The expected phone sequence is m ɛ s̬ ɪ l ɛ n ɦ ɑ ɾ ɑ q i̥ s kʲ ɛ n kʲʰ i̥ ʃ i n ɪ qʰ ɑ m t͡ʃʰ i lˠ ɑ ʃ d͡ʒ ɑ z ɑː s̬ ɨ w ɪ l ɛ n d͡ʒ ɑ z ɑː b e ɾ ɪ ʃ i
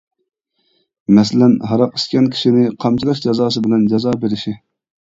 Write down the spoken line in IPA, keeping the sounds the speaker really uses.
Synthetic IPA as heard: m ɛ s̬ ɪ l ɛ n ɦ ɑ ɾ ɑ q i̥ s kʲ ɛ n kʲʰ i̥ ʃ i n ɪ qʰ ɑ m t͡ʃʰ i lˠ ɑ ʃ d͡ʒ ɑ z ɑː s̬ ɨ b ɪ l ɛ n d͡ʒ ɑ z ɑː b e ɾ ɪ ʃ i